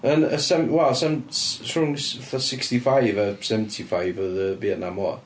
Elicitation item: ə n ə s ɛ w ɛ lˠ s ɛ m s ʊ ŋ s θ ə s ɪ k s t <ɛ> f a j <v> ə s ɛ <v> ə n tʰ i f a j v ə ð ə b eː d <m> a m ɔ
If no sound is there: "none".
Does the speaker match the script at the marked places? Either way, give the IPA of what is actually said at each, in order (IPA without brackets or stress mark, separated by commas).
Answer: i, v, v, n